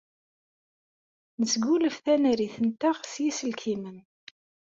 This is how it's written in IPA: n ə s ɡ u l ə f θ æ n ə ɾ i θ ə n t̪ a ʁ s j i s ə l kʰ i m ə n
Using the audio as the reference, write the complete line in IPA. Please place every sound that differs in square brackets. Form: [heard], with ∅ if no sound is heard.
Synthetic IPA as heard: n ə s ɡ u l ə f θ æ n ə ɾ i θ ə n t̪ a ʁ s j i s ə l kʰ i m ə n

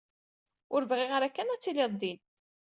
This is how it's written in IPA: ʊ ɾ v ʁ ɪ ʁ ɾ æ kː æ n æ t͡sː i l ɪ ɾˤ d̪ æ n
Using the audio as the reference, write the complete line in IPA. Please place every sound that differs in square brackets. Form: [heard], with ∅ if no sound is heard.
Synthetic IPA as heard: ʊ ɾ v ʁ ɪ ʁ ɾ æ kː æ n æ t͡sː i l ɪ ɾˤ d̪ [i] n

